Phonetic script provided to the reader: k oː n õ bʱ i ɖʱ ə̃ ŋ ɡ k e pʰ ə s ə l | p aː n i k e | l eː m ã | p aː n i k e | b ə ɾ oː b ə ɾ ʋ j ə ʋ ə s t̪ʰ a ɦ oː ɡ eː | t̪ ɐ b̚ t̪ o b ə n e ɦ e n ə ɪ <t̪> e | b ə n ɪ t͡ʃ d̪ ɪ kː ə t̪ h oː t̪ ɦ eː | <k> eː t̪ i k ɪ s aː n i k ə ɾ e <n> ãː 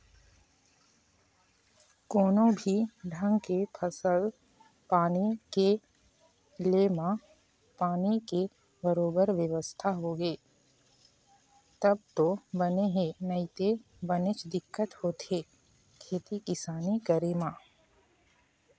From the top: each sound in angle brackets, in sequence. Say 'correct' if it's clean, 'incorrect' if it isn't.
correct, incorrect: kʰ, incorrect: m

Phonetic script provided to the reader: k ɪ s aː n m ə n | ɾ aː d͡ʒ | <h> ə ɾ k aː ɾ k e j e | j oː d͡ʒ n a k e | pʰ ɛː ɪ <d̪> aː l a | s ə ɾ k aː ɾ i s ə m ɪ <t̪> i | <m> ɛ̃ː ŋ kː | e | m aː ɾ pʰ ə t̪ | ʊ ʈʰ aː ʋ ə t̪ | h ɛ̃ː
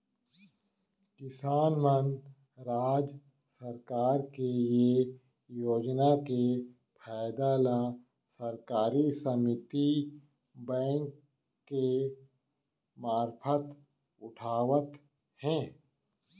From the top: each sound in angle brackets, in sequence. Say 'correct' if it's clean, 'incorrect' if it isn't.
incorrect: s, correct, correct, incorrect: b

